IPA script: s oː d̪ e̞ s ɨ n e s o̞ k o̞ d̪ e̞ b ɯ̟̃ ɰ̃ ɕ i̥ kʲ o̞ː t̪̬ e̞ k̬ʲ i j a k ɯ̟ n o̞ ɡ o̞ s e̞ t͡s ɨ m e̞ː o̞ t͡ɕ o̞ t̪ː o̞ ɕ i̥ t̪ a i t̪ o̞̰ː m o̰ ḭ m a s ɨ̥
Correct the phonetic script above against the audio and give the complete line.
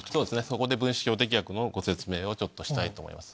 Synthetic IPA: s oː d̪ e̞ s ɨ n e s o̞ k o̞ d̪ e̞ b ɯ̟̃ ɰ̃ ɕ i̥ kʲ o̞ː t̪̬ e̞ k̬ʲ i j a k ɯ̟ n o̞ ɡ o̞ s e̞ t͡s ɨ m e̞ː o̞ t͡ɕ o̞ t̪ː o̞ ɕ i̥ t̪ a i t̪ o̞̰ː m o̰ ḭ m a s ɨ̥

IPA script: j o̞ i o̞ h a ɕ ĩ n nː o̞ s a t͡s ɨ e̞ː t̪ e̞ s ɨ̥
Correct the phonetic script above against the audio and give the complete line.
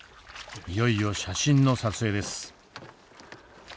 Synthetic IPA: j o̞ i o̞ ɕ a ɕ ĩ n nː o̞ s a t͡s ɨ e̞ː d̪ e̞ s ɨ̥

